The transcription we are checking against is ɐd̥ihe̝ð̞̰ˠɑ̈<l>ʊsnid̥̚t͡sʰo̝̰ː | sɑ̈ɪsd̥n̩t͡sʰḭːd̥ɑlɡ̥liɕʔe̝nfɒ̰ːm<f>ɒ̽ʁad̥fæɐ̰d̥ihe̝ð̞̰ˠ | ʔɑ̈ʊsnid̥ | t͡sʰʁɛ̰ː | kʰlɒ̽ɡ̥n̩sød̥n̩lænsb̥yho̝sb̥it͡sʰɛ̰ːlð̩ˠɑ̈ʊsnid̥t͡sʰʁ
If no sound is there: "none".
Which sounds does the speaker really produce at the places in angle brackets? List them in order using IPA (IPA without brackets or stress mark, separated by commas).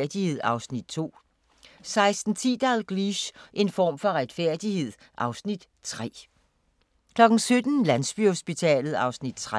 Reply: none, f